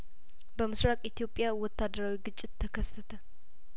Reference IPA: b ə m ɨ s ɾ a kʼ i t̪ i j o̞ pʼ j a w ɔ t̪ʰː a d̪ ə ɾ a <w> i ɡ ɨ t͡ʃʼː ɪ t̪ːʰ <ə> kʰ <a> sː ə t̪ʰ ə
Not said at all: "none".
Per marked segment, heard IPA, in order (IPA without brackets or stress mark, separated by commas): w, ə, ə